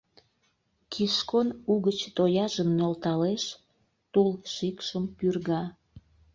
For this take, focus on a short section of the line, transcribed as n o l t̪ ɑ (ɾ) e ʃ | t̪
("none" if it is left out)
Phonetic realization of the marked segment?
l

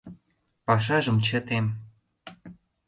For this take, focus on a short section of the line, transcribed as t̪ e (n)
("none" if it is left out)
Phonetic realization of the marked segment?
m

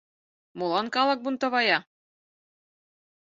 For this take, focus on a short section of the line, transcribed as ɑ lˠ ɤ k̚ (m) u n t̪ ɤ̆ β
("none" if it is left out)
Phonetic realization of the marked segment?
b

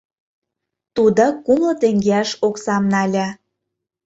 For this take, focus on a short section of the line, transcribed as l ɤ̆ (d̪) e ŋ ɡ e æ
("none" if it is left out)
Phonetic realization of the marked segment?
t̪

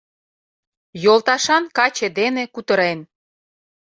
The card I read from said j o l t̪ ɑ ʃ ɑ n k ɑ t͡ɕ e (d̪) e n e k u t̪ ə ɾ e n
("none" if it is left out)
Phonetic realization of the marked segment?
d̪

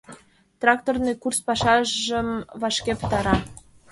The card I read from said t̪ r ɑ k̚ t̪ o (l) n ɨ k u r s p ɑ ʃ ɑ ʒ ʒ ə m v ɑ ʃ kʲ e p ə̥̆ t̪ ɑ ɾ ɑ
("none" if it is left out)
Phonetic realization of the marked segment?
r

